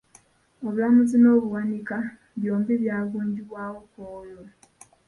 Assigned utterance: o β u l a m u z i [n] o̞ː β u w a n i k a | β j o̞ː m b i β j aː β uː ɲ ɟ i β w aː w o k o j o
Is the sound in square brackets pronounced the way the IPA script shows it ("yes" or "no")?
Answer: yes